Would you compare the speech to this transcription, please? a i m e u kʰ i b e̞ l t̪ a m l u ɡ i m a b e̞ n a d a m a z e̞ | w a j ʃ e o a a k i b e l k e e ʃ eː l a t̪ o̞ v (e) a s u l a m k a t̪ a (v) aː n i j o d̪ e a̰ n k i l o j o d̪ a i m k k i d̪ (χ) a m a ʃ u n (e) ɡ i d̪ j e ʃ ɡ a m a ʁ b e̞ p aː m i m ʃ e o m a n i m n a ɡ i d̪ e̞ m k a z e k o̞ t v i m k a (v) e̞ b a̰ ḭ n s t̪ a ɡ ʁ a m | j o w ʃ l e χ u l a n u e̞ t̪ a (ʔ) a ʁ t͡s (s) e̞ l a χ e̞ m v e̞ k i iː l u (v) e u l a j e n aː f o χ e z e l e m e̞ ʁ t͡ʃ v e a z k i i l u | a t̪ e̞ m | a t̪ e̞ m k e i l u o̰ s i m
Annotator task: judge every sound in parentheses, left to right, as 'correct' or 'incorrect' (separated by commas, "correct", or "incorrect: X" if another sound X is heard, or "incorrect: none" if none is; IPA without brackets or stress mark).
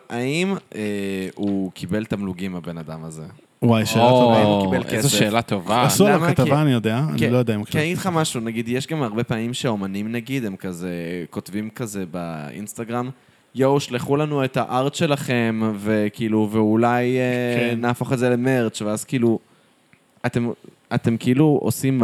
incorrect: a, correct, correct, incorrect: a, incorrect: z, correct, incorrect: ʃ, correct